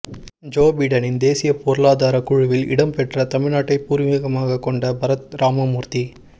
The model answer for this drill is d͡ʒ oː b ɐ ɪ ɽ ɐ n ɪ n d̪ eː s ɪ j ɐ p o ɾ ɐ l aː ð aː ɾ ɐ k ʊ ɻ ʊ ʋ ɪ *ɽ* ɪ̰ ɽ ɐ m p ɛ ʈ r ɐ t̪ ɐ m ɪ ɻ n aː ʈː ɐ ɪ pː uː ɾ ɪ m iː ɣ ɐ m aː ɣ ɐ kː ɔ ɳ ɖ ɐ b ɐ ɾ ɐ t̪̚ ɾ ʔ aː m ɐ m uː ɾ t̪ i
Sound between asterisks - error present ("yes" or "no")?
yes